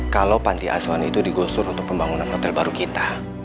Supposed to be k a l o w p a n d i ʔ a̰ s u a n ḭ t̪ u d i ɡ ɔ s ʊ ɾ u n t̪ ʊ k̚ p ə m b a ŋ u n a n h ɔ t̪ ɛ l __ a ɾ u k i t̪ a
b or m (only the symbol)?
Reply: b